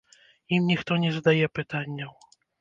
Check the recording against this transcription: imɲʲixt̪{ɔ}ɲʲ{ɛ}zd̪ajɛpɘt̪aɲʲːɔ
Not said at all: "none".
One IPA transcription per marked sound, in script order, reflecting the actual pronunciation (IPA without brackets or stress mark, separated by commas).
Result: ɔ, ɛ